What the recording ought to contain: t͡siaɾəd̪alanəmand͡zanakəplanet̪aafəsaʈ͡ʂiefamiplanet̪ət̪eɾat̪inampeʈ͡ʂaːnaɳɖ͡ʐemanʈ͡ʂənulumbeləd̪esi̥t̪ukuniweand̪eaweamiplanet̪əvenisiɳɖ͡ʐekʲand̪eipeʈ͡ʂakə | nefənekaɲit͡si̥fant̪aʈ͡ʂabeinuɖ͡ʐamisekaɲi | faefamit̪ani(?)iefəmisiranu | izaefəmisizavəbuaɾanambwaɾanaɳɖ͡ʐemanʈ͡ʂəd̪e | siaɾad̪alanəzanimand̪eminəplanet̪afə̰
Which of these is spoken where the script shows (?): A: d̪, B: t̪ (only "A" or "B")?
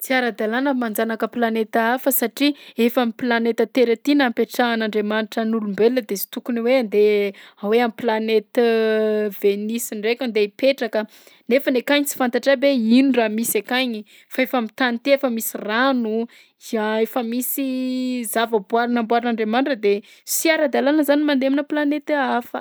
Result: B